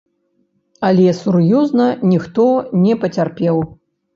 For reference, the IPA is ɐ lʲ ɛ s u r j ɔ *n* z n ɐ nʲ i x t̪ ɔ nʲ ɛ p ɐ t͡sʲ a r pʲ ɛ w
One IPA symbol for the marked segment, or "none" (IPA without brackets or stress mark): none